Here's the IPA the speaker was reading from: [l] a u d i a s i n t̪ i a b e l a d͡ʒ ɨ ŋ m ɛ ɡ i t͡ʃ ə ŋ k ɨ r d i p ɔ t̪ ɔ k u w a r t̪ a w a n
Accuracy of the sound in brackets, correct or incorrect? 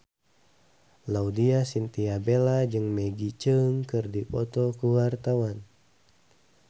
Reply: correct